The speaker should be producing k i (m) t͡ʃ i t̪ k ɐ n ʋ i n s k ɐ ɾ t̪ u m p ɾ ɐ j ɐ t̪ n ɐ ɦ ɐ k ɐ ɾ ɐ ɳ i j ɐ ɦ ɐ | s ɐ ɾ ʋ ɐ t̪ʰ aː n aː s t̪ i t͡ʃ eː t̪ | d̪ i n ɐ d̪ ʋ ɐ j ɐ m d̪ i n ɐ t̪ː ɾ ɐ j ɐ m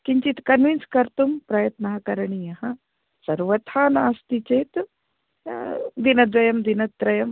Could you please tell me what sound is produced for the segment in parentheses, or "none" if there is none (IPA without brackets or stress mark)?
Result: ɲ